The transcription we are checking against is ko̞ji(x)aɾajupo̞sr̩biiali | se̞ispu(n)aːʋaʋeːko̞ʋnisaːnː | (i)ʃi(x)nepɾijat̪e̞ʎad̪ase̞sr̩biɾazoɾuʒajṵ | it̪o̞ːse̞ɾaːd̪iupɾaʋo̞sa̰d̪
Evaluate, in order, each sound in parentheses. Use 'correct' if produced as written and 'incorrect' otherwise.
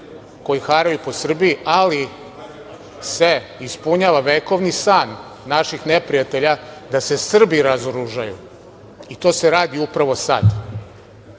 correct, incorrect: ɲ, incorrect: a, correct

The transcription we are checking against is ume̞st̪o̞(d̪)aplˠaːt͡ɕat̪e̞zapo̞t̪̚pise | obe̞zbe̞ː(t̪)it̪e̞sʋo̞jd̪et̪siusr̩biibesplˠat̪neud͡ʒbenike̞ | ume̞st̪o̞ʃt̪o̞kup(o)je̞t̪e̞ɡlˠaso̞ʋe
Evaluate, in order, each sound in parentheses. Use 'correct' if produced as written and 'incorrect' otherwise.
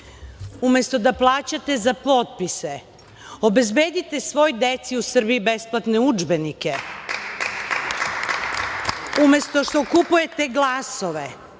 correct, incorrect: d̪, incorrect: u

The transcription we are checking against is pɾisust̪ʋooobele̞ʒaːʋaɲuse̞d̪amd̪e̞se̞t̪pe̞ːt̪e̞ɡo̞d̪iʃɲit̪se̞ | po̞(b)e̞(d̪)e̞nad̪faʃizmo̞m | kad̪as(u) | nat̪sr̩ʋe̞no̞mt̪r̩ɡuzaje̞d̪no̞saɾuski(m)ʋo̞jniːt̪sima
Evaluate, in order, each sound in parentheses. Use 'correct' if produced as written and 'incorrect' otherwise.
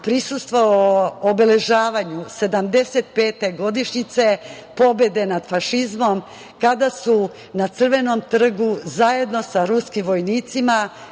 correct, correct, correct, correct

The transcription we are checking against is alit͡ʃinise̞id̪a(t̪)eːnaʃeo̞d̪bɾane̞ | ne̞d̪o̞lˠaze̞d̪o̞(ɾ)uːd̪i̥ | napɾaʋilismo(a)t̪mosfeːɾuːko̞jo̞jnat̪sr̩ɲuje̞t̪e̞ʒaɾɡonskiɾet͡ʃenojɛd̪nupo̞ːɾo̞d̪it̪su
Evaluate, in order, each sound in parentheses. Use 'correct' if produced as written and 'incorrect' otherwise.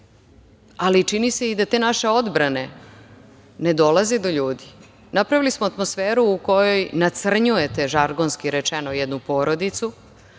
correct, incorrect: ʎ, correct

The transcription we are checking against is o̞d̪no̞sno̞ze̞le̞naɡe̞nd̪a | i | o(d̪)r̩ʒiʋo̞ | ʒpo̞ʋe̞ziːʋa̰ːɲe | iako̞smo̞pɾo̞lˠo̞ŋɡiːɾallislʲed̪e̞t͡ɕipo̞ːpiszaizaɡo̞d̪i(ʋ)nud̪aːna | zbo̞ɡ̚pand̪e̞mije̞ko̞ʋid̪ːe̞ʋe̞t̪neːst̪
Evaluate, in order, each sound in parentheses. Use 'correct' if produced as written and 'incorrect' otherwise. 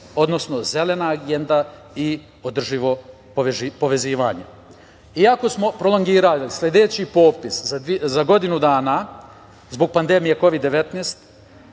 correct, incorrect: none

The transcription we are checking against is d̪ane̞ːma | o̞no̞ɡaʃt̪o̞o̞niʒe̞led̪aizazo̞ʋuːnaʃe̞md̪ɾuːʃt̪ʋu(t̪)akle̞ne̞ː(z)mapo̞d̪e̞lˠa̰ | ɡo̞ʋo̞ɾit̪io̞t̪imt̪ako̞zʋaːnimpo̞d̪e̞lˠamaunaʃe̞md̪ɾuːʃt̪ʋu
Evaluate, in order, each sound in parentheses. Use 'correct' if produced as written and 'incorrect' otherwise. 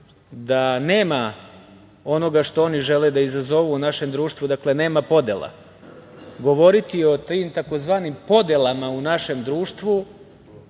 incorrect: d̪, incorrect: none

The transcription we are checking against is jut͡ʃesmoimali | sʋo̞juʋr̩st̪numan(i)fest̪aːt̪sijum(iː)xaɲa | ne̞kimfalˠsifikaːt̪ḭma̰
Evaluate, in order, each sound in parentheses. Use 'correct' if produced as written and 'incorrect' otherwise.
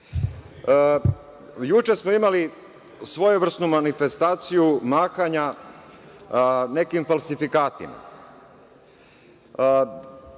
correct, incorrect: aː

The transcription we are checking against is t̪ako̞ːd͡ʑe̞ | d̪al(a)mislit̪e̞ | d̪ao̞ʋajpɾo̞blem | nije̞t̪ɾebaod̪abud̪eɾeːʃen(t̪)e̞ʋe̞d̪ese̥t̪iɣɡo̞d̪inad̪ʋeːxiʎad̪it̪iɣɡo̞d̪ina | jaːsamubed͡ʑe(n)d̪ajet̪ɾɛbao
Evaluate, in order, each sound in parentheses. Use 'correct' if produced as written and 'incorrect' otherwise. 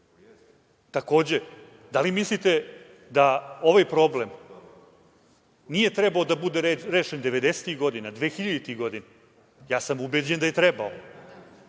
incorrect: i, incorrect: d̪, correct

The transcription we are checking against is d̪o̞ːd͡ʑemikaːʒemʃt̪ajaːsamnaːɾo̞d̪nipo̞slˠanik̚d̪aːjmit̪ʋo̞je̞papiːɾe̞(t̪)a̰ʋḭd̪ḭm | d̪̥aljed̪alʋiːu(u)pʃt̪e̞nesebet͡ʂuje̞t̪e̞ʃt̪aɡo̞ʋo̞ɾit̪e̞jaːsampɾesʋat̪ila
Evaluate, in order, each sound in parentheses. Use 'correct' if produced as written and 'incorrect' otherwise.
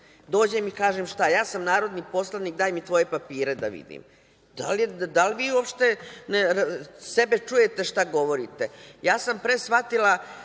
incorrect: d̪, incorrect: o

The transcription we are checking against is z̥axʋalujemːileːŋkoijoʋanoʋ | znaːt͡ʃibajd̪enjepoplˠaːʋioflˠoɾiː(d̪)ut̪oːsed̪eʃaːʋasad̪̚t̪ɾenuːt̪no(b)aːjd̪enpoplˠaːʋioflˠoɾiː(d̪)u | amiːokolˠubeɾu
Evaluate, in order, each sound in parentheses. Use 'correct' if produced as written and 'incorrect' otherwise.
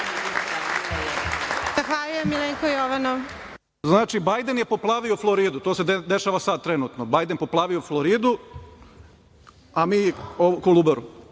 correct, correct, correct

